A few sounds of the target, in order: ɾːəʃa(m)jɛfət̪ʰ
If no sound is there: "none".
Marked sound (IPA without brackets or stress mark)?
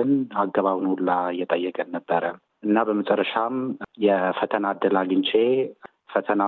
m